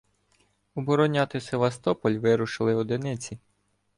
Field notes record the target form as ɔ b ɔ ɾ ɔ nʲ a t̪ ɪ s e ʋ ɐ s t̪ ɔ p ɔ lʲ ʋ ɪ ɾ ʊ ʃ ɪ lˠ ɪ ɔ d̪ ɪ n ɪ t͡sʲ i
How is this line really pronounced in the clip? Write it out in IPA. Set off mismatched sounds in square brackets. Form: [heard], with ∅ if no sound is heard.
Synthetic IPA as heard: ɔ b ɔ ɾ ɔ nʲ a t̪ ɪ s e ʋ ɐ s t̪ ɔ p ɔ lʲ ʋ ɪ ɾ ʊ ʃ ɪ lˠ ɪ ɔ d̪ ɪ n ɪ t͡sʲ i